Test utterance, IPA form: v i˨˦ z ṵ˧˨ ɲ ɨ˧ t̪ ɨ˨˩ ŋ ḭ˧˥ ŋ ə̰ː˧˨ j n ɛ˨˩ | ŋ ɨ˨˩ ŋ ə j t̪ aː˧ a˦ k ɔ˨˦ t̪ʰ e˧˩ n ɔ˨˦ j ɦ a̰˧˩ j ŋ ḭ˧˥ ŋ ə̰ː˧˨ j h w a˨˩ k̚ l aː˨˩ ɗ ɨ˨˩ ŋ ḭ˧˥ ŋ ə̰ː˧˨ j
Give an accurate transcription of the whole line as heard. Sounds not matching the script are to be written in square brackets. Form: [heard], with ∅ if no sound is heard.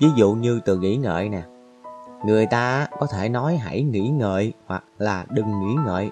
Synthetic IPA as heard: v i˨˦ z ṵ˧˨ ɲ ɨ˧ t̪ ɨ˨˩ ŋ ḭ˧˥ ŋ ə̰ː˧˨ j n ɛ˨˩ | ŋ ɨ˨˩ [∅] ə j t̪ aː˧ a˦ k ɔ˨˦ t̪ʰ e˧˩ n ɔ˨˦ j ɦ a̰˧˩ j ŋ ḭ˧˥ ŋ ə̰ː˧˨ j h w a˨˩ k̚ l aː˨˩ ɗ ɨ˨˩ [ŋː] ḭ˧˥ ŋ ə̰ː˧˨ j